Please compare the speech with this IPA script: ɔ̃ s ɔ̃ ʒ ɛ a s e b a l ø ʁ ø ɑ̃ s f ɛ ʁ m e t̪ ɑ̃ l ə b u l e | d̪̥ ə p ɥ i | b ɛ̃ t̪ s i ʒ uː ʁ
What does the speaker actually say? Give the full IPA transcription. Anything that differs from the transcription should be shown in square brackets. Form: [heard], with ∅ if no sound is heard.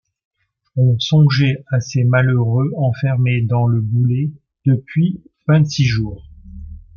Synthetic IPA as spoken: ɔ̃ s ɔ̃ ʒ ɛ a s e [m] a l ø ʁ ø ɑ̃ [∅] f ɛ ʁ m e [d̪] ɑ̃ l ə b u l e | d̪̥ ə p ɥ i | [v] ɛ̃ t̪ s i ʒ uː ʁ

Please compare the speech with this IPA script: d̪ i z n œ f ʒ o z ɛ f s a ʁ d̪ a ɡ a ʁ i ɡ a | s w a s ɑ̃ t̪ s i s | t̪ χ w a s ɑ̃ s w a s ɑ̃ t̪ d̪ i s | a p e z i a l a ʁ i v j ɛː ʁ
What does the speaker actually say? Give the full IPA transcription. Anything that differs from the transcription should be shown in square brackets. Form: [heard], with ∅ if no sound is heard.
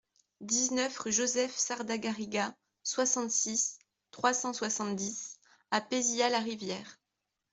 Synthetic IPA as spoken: d̪ i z n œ f ʒ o z ɛ f s a ʁ d̪ a ɡ a ʁ i ɡ a | s w a s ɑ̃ t̪ s i s | t̪ χ w a s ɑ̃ s w a s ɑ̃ t̪ d̪ i s | a p e z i a l a ʁ i v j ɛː ʁ

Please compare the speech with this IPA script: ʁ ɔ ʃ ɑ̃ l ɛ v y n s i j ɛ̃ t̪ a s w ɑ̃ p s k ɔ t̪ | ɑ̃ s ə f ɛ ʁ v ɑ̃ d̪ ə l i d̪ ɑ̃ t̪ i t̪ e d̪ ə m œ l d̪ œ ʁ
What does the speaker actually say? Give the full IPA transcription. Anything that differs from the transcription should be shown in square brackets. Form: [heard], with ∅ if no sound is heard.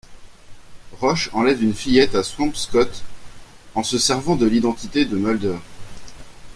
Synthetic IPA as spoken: ʁ ɔ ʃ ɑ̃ l ɛ v y n [f] i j [ɛ] t̪ a s w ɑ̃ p s k ɔ t̪ | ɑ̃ s ə [s] ɛ ʁ v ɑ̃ d̪ ə l i d̪ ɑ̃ t̪ i t̪ e d̪ ə m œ l d̪ œ ʁ

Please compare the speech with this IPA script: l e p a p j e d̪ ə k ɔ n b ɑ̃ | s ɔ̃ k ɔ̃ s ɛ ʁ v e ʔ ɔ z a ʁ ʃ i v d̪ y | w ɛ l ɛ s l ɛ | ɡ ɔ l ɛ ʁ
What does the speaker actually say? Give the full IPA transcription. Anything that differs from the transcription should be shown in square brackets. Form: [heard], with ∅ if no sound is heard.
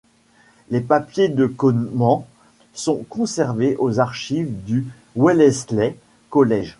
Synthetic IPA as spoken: l e p a p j e d̪ ə k ɔ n [m] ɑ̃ | s ɔ̃ k ɔ̃ s ɛ ʁ v e ʔ [o] z a ʁ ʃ i v d̪ y | w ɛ l ɛ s l ɛ | [k] ɔ l ɛ [ʒ]

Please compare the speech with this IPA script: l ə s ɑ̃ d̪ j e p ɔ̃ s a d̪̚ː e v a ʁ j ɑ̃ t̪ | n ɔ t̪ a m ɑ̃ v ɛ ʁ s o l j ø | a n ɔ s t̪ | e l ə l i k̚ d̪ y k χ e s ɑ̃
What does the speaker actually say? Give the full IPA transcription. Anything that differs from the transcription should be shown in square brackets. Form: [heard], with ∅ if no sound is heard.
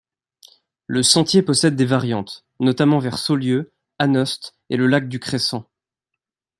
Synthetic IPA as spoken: l ə s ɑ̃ [t̪] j e p [ɔ] s [ɛ] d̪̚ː e v a ʁ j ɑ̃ t̪ | n ɔ t̪ a m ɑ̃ v ɛ ʁ s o l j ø | a n ɔ s t̪ | e l ə l [a] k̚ d̪ y k χ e s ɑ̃

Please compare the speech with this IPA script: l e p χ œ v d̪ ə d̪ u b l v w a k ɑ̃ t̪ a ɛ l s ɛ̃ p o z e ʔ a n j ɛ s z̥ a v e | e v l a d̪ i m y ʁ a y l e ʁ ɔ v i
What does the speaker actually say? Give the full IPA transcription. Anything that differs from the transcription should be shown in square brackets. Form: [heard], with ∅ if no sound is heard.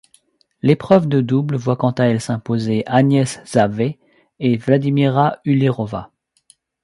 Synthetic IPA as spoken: l e p χ œ v d̪ ə d̪ u b l v w a k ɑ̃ t̪ a ɛ l s ɛ̃ p o z e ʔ a n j ɛ s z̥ a v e | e v l a d̪ i m [i] ʁ a y l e ʁ ɔ v [a]

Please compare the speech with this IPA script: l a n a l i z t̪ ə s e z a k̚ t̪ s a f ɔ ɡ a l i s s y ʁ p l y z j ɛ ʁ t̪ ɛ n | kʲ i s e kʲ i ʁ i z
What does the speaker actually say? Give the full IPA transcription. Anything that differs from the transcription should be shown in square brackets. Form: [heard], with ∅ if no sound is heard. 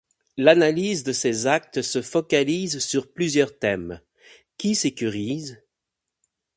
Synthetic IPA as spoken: l a n a l i z [d̪] ə s e z a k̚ t̪ s [ə] f ɔ [k] a l i [z] s y ʁ p l y z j [œ] ʁ t̪ ɛ [m] | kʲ i s e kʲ [y] ʁ i z

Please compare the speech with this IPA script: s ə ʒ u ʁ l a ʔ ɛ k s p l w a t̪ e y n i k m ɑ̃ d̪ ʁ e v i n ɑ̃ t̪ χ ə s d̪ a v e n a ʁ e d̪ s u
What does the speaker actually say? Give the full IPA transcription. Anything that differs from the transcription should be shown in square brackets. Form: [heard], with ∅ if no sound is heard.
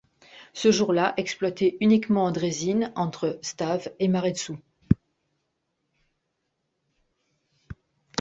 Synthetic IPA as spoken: s ə ʒ u ʁ l a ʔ ɛ k s p l w a t̪ e y n i k m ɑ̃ d̪ ʁ e [z] i n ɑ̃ t̪ χ ə s [t̪] a v e [m] a ʁ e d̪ s u

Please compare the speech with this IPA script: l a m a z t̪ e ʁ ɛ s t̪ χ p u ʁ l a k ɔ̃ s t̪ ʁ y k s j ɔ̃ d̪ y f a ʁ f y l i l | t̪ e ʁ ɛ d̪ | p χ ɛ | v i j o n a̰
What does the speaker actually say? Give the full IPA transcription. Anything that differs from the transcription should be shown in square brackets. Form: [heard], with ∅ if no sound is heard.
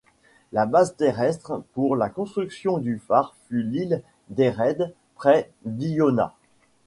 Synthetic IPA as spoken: l a [b] a z t̪ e ʁ ɛ s t̪ χ p u ʁ l a k ɔ̃ s t̪ [χ] y k s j ɔ̃ d̪ y f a ʁ f y l i l | [d̪] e ʁ ɛ d̪ | p χ ɛ | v i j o n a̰

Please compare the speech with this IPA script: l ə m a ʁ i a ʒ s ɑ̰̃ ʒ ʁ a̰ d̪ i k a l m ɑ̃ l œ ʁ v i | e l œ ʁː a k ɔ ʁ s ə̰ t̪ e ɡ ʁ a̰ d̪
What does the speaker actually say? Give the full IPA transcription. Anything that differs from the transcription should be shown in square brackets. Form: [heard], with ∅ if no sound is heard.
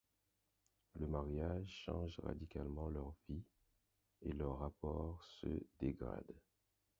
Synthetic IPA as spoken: l ə m a ʁ [j] a ʒ [ʃ] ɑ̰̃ ʒ ʁ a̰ d̪ i k a l m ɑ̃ l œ ʁ v i | e l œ ʁː a [p] ɔ ʁ s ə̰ [d̪] e ɡ ʁ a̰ d̪

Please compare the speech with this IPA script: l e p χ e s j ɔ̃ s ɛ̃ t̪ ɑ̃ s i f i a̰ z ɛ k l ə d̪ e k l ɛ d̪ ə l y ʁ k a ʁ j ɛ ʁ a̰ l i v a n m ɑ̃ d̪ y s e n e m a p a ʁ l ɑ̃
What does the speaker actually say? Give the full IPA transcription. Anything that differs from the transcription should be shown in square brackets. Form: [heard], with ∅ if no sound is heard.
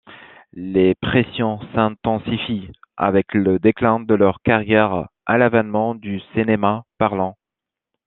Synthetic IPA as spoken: l e p χ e s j ɔ̃ s ɛ̃ t̪ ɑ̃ s i f i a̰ [v] ɛ k l ə d̪ e k l [ɛ̃] d̪ ə l [œ] ʁ k a ʁ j ɛ ʁ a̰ l [a] v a n m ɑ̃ d̪ y s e n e m a p a ʁ l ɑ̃

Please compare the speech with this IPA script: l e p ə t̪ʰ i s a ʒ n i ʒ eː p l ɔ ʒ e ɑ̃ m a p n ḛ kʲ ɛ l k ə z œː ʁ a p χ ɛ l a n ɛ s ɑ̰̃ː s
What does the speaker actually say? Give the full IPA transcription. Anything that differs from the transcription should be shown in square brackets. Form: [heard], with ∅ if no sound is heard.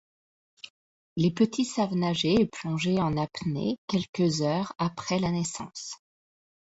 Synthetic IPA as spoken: l e p ə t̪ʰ i s a [v] n [a] ʒ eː p l [ɔ̃] ʒ e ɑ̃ [n] a p n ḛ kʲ ɛ l k ə z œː ʁ a p χ ɛ l a n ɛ s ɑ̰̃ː s

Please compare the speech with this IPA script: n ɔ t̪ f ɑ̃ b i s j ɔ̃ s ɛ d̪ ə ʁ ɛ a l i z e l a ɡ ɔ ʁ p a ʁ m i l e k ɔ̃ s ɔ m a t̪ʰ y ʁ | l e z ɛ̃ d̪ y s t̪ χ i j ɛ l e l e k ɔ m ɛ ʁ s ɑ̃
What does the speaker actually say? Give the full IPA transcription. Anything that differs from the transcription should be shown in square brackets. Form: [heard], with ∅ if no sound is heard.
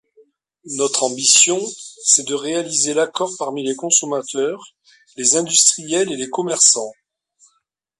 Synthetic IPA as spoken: n ɔ t̪ [χ] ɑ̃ b i s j ɔ̃ s ɛ d̪ ə ʁ [e] a l i z e l a [k] ɔ ʁ p a ʁ m i l e k ɔ̃ s ɔ m a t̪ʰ [œ] ʁ | l e z ɛ̃ d̪ y s t̪ χ i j ɛ l e l e k ɔ m ɛ ʁ s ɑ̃

